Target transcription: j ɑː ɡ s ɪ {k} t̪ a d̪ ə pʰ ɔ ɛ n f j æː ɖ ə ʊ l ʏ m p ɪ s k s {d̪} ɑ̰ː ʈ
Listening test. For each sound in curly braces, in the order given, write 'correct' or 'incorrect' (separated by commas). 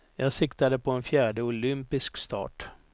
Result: correct, incorrect